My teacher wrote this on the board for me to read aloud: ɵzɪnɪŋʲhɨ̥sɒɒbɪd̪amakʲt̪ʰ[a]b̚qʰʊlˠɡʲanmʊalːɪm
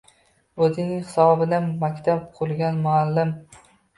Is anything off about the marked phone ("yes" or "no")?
no